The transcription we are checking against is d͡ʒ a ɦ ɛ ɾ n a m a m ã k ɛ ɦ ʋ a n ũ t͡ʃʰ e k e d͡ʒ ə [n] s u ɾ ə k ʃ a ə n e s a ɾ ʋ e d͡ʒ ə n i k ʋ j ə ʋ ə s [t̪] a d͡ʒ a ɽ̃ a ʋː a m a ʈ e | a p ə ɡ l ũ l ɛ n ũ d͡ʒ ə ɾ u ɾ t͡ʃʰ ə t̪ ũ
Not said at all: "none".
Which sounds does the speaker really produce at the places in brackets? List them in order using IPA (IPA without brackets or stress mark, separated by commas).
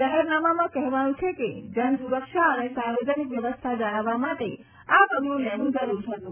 n, t̪ʰ